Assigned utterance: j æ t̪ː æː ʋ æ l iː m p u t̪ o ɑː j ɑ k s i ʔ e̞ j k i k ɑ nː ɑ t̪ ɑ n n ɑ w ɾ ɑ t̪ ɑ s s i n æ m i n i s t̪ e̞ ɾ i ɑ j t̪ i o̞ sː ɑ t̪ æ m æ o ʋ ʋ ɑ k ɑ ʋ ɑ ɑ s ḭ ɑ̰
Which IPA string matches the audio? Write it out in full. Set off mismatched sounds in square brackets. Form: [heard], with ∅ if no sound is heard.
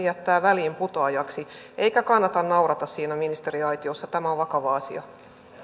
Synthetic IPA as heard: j æ t̪ː æː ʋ æ l iː m p u t̪ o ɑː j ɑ k s i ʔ e̞ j k [æ] k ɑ nː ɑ t̪ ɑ n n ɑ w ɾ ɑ t̪ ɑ s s [iː] n æ m i n i s t̪ e̞ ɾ i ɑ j t̪ i o̞ sː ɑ t̪ æ m æ o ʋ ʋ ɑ k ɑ ʋ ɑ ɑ s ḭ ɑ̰